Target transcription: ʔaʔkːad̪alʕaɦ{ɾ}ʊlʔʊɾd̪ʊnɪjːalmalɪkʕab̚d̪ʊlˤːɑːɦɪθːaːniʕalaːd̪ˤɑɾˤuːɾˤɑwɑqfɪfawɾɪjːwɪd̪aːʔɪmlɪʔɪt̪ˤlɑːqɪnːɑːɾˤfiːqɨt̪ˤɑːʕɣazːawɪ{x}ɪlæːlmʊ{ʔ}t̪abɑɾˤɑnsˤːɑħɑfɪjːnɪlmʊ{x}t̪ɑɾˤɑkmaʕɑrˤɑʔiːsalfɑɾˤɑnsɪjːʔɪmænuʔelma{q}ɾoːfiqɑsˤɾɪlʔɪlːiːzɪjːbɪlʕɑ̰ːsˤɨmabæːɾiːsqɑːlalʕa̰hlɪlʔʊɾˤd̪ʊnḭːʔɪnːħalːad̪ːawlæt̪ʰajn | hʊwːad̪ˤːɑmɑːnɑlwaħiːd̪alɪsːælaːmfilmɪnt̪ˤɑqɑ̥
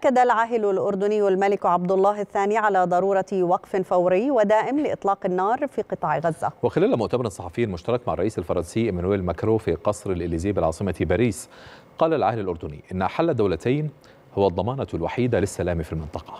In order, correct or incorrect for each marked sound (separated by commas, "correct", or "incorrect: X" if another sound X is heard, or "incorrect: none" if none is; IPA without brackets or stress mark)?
incorrect: l, correct, correct, incorrect: ʃ, incorrect: k